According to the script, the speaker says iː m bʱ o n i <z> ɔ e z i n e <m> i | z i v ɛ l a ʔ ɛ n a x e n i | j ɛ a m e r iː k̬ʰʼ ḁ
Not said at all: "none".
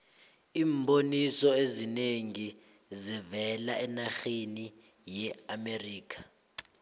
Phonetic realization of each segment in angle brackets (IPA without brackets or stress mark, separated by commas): s, ŋ